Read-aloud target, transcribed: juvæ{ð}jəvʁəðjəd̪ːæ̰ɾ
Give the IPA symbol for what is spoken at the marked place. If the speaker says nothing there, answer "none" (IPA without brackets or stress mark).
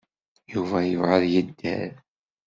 none